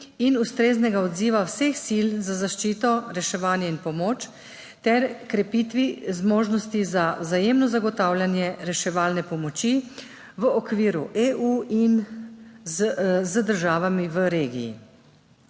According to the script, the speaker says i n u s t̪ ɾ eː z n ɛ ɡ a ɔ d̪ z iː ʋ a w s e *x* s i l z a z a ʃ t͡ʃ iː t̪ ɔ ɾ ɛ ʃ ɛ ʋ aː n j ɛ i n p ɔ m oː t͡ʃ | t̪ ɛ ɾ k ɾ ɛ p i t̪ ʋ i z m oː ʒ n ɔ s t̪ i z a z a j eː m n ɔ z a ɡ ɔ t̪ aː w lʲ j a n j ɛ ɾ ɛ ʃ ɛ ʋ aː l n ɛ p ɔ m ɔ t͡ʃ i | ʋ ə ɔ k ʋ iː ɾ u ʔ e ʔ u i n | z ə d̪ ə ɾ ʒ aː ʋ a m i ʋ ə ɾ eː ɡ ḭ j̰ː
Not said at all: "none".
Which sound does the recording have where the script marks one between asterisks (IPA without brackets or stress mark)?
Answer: x